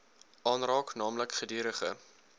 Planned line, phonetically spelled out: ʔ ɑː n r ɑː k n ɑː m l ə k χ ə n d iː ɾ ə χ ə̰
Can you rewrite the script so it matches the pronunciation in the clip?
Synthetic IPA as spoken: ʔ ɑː n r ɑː k n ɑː m l ə k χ ə d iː ɾ ə χ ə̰